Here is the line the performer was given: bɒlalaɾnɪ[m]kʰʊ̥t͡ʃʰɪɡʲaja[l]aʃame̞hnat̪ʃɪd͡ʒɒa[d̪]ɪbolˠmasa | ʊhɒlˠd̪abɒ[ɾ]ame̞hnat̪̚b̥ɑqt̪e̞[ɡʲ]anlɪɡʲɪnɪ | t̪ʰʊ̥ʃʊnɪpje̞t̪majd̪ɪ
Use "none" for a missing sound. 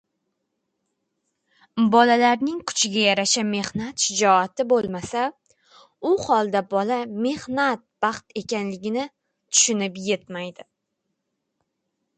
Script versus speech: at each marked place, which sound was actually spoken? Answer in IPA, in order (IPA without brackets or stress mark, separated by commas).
ŋ, ɾ, t̪, l, kʲ